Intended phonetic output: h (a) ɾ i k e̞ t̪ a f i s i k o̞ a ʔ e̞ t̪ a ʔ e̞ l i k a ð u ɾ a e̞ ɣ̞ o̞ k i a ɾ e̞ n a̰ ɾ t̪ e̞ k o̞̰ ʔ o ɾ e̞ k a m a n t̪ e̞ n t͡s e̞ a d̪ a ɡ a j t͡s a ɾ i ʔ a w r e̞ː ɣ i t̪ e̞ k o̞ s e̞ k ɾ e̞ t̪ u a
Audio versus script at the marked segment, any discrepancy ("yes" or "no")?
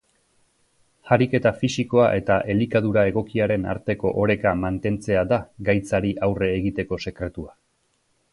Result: no